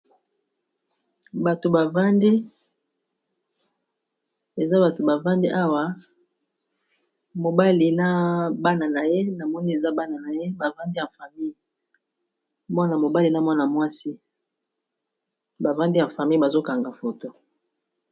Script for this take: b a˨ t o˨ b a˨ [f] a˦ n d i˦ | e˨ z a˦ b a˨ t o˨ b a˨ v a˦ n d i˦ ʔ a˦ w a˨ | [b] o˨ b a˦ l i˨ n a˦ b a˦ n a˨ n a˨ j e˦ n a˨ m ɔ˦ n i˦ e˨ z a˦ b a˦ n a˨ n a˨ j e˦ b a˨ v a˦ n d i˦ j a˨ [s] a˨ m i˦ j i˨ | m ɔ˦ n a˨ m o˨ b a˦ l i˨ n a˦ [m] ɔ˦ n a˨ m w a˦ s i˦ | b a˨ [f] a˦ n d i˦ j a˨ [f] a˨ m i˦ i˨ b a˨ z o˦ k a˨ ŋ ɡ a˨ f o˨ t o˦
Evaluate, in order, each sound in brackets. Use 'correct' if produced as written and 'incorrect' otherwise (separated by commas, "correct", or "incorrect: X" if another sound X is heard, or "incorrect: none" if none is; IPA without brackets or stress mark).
incorrect: v, incorrect: m, incorrect: f, correct, incorrect: v, correct